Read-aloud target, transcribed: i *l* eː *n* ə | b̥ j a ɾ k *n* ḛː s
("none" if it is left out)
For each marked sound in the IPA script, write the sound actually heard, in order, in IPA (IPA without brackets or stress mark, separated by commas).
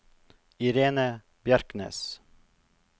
ɾ, n, n